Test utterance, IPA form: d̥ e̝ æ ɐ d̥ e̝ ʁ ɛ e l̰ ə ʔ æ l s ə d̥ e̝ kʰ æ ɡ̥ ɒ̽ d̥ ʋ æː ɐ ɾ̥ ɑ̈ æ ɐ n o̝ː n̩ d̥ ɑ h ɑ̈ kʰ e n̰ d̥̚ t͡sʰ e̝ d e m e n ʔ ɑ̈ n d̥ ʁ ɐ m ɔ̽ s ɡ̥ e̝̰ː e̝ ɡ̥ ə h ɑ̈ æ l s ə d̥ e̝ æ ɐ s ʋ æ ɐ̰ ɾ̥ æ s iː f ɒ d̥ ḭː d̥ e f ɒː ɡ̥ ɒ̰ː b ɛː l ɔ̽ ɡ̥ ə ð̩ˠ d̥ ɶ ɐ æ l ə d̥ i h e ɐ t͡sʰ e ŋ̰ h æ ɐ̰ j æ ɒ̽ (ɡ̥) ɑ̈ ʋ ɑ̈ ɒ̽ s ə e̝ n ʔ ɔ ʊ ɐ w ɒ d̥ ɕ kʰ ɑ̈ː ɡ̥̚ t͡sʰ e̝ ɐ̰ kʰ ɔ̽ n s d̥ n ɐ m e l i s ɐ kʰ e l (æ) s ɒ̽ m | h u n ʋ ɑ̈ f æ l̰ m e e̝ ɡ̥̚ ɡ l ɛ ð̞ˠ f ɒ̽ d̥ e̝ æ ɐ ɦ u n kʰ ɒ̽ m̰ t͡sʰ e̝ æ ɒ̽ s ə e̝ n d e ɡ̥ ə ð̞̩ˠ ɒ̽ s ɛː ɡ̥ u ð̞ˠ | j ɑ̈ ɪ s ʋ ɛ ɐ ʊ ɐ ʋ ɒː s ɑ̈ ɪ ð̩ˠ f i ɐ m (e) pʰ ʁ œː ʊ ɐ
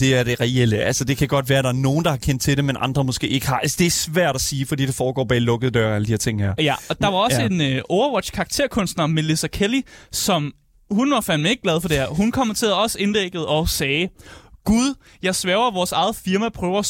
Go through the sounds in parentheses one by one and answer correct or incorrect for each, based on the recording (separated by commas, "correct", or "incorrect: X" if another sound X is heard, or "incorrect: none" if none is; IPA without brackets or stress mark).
incorrect: d̥, incorrect: i, incorrect: æ